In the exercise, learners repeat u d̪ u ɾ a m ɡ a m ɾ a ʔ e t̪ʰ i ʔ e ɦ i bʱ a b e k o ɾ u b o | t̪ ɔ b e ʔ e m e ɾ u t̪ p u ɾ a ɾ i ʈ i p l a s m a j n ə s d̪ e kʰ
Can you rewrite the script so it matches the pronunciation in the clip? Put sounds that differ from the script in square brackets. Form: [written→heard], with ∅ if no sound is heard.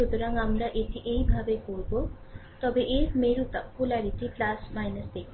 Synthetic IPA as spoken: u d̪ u ɾ a [m→ŋ] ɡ a m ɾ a ʔ e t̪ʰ i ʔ e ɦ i bʱ a b e k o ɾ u b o | t̪ ɔ b e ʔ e m e ɾ u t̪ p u [ɾ→l] a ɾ i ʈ i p l a s m a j n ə s d̪ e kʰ